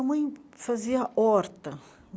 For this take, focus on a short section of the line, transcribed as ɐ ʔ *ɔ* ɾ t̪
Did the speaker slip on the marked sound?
no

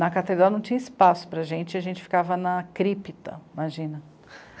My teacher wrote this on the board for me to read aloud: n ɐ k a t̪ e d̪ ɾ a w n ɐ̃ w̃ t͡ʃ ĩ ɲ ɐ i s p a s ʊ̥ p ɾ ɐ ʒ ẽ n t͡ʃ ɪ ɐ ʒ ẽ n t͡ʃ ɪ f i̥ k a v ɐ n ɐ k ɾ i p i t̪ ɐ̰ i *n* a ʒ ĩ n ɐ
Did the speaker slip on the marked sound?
yes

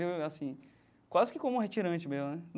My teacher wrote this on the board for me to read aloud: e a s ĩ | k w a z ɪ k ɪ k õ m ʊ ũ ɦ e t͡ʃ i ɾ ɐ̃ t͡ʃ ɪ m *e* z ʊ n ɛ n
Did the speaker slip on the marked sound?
no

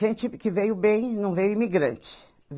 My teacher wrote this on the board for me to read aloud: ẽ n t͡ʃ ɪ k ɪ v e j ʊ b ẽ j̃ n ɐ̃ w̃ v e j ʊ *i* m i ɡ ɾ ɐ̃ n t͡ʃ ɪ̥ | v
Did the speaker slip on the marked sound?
no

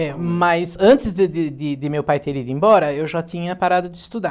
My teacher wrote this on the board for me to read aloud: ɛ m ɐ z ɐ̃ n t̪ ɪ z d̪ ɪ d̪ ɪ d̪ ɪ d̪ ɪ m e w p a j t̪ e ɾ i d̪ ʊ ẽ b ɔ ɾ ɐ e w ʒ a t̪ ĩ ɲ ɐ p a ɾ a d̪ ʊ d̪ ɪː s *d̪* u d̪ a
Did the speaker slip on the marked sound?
yes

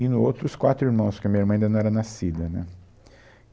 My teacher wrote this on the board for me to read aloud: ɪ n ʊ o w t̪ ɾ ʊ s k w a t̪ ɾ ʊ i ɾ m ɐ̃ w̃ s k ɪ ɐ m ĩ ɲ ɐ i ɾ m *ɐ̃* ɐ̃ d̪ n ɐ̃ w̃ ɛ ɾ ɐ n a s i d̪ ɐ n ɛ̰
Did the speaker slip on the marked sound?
no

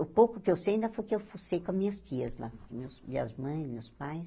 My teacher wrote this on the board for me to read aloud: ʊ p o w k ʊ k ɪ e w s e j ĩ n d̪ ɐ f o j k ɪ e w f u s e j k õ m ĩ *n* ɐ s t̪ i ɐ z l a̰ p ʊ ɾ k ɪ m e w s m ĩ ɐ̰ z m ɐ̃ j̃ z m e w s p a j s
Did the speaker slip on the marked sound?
yes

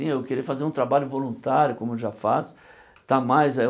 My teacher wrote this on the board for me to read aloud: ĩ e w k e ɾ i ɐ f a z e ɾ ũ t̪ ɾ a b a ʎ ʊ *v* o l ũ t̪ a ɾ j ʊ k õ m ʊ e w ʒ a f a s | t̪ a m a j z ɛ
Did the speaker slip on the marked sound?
no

